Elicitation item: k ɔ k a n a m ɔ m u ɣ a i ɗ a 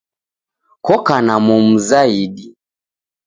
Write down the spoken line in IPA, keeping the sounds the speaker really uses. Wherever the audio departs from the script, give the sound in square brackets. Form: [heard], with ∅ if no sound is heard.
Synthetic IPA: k ɔ k a n a m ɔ m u [z] a i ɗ [i]